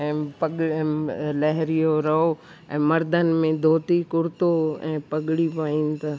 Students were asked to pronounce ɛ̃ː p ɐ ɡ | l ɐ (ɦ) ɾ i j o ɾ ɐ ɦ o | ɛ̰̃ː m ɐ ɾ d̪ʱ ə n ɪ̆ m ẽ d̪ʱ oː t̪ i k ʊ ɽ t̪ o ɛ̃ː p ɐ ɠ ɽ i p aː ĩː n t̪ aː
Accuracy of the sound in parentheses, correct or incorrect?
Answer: correct